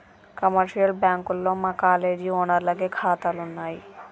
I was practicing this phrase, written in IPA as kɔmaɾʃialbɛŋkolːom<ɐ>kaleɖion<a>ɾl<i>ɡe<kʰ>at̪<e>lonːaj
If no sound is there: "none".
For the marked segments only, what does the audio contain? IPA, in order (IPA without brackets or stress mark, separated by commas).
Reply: a, a, a, kʰ, a